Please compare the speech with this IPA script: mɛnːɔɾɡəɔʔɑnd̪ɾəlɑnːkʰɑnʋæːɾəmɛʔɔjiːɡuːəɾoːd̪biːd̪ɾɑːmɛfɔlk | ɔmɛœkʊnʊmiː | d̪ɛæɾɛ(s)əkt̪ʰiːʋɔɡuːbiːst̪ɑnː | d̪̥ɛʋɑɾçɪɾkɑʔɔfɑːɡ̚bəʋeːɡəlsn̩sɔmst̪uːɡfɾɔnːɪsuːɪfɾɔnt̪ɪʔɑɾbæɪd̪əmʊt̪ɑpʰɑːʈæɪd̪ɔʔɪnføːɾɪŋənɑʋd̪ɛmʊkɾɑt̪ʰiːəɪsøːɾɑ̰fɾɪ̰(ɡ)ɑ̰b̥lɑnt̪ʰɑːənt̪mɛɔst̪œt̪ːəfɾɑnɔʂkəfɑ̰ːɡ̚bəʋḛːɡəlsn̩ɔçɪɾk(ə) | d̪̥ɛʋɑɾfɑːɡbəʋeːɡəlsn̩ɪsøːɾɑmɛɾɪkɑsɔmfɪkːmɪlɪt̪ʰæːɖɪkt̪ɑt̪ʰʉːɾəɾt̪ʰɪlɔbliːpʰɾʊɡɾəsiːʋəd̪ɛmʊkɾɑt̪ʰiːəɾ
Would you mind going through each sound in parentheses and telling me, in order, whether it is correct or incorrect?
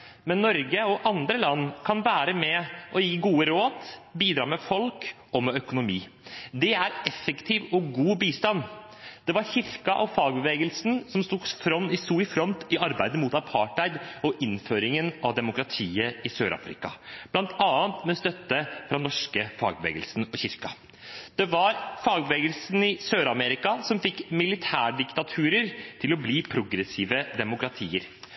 incorrect, incorrect, incorrect

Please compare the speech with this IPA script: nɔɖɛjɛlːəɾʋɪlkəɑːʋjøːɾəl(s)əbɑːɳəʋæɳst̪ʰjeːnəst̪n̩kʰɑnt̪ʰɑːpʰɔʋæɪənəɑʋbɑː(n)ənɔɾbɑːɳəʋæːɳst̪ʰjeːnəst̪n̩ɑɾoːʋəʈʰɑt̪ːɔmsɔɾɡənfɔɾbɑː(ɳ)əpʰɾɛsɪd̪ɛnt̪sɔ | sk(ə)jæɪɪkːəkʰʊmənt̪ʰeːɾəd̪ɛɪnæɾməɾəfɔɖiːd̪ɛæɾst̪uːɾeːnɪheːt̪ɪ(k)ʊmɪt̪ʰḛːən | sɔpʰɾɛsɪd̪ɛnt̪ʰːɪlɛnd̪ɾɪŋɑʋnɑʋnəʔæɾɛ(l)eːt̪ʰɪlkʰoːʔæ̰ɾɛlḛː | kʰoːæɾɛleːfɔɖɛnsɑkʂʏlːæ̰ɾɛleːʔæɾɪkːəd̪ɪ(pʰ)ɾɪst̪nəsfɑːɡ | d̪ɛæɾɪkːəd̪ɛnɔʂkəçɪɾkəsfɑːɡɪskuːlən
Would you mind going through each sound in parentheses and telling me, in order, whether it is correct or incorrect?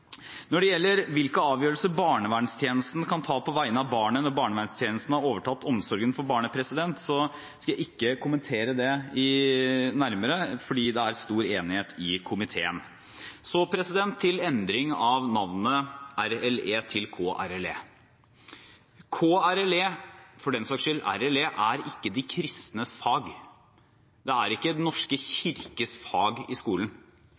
correct, incorrect, correct, incorrect, incorrect, correct, incorrect

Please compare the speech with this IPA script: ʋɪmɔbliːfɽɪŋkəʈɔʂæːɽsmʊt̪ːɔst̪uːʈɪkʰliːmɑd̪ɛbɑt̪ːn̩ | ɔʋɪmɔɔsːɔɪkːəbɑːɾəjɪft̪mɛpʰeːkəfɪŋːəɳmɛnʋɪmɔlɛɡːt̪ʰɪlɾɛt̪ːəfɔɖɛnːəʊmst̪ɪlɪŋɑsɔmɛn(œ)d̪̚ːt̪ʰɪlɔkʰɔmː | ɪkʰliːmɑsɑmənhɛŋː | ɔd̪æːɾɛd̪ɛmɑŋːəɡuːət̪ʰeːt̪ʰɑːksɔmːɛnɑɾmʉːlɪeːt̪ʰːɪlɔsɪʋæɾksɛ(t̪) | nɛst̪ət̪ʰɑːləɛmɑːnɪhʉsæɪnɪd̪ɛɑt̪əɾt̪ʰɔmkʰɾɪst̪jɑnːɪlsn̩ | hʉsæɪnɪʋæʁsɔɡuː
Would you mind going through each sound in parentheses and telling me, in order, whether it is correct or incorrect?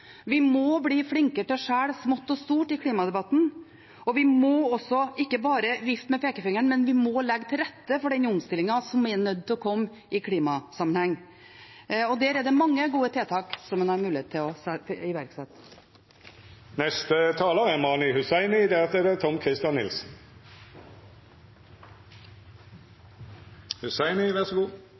correct, correct

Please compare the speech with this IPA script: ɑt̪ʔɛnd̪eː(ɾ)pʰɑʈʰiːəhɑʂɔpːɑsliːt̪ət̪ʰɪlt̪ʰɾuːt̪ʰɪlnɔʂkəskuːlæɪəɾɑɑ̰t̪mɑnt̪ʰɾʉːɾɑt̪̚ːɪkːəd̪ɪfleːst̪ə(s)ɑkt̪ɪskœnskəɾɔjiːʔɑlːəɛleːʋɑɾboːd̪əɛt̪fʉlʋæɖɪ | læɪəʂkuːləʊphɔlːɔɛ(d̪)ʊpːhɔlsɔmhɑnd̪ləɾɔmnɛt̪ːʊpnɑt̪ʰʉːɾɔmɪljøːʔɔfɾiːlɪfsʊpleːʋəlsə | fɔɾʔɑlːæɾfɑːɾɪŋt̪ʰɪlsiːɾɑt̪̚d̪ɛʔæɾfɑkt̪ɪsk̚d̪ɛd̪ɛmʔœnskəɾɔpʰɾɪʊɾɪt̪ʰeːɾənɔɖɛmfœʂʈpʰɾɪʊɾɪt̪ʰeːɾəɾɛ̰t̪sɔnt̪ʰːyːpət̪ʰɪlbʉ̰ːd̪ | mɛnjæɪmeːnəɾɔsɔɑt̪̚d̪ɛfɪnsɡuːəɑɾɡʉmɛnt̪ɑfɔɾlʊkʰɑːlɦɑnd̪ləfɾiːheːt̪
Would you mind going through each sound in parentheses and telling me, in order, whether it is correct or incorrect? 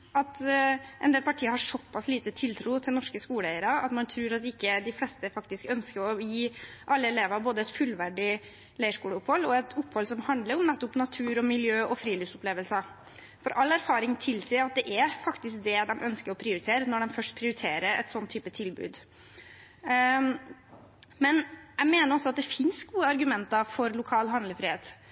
incorrect, incorrect, incorrect

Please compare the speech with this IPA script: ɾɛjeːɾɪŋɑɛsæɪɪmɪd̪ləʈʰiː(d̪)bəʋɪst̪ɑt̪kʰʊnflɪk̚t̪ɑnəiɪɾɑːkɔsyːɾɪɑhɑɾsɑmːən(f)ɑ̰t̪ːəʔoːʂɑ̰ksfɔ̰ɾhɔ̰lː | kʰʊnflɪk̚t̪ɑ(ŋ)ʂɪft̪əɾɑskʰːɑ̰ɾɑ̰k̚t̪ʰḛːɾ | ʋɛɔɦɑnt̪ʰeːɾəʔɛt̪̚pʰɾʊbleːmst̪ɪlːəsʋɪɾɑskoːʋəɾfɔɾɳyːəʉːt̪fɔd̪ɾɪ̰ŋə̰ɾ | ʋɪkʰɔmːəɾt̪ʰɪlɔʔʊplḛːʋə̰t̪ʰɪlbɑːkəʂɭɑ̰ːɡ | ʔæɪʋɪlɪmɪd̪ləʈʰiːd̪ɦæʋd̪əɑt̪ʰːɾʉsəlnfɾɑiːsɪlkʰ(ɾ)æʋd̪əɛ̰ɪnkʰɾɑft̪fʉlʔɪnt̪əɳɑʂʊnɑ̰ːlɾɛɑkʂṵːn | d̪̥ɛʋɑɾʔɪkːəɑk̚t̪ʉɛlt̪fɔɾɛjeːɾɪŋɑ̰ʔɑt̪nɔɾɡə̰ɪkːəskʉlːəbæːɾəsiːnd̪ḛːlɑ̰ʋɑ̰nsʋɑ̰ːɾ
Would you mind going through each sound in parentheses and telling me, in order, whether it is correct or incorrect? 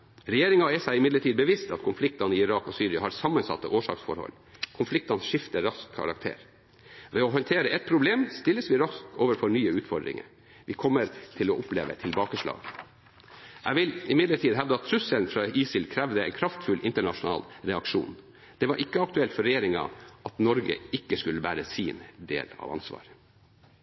correct, incorrect, incorrect, correct

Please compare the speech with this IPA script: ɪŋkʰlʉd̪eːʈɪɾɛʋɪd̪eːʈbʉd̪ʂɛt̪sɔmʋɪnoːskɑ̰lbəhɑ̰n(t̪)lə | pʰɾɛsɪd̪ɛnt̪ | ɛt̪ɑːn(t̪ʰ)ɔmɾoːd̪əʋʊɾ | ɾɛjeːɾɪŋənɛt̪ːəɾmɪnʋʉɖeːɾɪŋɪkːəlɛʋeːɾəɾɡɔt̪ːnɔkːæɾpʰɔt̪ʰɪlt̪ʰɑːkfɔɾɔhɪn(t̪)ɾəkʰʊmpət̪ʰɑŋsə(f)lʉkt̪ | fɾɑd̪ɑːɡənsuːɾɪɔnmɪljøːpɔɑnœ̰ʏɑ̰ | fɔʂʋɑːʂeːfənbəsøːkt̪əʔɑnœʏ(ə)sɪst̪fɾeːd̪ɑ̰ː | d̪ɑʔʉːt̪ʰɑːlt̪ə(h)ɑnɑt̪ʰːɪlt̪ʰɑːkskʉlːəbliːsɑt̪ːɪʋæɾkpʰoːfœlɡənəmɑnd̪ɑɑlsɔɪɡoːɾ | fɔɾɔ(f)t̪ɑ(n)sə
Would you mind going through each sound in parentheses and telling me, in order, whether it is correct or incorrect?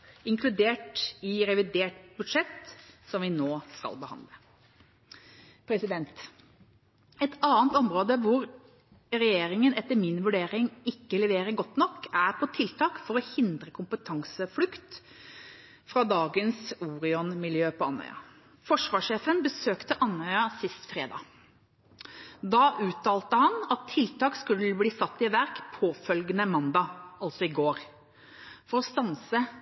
incorrect, incorrect, incorrect, correct, incorrect, correct, incorrect, correct

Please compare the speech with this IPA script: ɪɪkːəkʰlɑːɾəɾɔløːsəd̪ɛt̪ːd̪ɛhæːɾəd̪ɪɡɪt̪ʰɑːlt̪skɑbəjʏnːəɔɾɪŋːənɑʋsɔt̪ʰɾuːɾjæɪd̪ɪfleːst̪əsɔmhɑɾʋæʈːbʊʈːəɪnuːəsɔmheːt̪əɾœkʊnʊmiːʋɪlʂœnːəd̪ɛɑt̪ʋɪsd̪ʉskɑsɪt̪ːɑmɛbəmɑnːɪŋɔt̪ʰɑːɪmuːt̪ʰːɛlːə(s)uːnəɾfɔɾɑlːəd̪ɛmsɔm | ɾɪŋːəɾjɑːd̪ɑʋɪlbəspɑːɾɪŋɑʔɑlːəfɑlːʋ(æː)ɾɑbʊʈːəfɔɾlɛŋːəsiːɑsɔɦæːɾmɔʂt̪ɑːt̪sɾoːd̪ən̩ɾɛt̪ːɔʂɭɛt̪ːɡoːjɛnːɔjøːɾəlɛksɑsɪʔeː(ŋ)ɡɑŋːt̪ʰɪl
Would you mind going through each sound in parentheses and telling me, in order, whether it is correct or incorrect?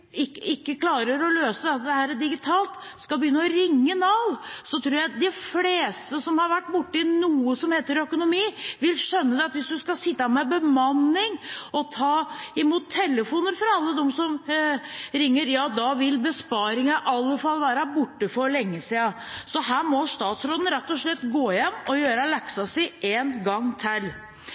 incorrect, correct, incorrect

